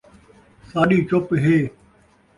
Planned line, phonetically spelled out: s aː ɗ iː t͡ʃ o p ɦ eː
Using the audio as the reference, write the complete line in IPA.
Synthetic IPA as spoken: s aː ɗ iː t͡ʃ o p ɦ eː

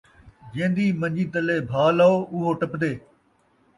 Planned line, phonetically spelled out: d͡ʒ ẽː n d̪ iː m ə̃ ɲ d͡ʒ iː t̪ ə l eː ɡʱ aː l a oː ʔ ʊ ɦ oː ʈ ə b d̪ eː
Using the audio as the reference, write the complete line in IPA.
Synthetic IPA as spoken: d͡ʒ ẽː n d̪ iː m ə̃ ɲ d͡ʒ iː t̪ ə l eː bʱ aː l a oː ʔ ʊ ɦ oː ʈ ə p d̪ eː

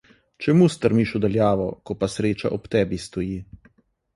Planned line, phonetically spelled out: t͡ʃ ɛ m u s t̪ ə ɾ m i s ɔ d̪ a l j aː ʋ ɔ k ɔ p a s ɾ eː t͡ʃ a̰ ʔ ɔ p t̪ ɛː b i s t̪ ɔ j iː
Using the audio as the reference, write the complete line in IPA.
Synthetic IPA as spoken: t͡ʃ ɛ m u s t̪ ə ɾ m i ʃ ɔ d̪ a l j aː ʋ ɔ k ɔ p a s ɾ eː t͡ʃ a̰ ʔ ɔ p t̪ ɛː b i s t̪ ɔ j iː

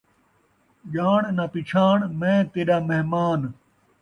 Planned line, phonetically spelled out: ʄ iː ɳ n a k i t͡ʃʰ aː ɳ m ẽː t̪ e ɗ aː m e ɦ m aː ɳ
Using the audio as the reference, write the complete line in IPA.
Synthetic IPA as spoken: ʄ aː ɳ n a p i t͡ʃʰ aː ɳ m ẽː t̪ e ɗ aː m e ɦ m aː n

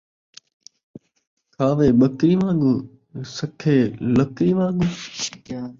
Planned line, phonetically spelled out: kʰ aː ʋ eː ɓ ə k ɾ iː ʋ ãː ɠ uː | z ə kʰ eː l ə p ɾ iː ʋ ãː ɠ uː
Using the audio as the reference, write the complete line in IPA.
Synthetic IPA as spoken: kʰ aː ʋ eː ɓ ə k ɾ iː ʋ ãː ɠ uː | s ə kʰ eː l ə k ɾ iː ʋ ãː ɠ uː

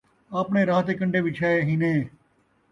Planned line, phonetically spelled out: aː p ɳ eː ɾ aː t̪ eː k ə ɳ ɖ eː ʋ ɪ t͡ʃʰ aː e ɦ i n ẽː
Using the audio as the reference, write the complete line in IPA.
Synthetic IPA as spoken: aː p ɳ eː ɾ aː t̪ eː k ə ɳ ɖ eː ʋ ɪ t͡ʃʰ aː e ɦ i n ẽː

